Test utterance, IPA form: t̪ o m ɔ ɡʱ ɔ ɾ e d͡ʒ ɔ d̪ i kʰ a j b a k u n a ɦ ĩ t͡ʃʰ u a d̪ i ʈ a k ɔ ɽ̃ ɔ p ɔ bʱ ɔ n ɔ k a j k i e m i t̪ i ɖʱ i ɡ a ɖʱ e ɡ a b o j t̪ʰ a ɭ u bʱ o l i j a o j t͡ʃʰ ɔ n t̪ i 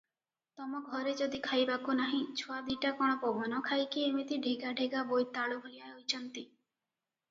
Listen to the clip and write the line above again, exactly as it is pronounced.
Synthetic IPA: t̪ ɔ m ɔ ɡʱ ɔ ɾ e d͡ʒ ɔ d̪ i kʰ a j b a k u n a ɦ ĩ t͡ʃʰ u a d̪ i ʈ a k ɔ ɽ̃ ɔ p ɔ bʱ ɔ n ɔ kʰ a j k i e m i t̪ i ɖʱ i ɡ a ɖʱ e ɡ a b o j t̪ a ɭ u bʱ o l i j a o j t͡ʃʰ ɔ n t̪ i